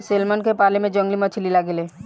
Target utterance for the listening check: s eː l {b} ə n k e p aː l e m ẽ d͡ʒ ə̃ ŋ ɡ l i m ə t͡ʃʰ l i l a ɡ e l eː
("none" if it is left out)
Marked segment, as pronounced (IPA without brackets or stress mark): m